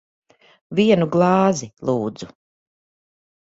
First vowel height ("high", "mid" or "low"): high